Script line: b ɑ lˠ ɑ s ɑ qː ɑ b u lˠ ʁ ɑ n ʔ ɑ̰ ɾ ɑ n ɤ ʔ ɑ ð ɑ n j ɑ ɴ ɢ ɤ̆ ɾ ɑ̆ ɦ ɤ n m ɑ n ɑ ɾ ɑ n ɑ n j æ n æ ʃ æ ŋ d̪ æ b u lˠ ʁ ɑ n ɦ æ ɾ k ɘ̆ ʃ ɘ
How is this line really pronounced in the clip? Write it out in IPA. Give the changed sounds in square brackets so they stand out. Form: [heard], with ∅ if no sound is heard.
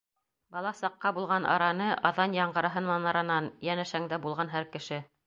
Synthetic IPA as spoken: b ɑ lˠ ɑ s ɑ qː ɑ b u lˠ ʁ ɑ n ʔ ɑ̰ ɾ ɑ n ɤ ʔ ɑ ð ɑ n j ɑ ɴ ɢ ɤ̆ ɾ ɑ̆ ɦ ɤ n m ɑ n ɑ ɾ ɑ n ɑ n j æ n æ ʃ æ ŋ d̪ æ b u lˠ ʁ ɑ n ɦ æ ɾ k ɘ̆ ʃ ɘ